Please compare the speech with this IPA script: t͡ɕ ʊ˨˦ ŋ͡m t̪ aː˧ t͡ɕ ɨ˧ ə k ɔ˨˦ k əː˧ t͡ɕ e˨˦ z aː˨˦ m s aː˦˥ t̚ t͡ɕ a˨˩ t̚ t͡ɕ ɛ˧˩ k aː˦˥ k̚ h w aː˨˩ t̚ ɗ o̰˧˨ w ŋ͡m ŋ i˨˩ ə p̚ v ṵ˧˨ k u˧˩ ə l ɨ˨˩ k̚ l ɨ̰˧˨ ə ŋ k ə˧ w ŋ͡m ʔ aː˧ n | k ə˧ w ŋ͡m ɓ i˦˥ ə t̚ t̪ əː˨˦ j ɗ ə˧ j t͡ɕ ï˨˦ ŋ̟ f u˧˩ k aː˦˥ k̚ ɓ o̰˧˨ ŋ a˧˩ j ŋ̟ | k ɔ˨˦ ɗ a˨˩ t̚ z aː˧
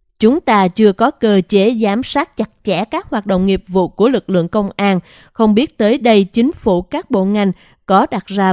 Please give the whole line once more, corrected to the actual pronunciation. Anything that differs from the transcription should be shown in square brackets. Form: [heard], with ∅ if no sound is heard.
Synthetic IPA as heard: t͡ɕ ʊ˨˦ ŋ͡m t̪ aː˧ t͡ɕ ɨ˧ ə k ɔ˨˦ k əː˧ t͡ɕ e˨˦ z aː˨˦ m s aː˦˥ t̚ t͡ɕ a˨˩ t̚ t͡ɕ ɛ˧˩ k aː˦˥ k̚ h w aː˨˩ t̚ ɗ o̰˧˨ w ŋ͡m ŋ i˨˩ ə p̚ v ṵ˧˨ k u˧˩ ə l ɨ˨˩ k̚ l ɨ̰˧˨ ə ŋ k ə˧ w ŋ͡m ʔ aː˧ n | [x] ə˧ w ŋ͡m ɓ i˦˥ ə t̚ t̪ əː˨˦ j ɗ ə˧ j t͡ɕ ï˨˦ ŋ̟ f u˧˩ k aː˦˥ k̚ ɓ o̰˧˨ ŋ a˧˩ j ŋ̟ | k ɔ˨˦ ɗ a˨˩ t̚ z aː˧